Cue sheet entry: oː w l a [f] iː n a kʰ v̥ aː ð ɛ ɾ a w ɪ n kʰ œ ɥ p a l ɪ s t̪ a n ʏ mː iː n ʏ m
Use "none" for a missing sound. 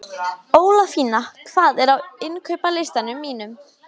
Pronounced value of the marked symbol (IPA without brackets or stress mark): f